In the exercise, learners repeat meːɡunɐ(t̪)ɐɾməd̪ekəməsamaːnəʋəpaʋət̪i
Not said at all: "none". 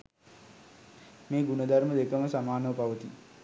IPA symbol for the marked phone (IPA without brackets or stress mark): d̪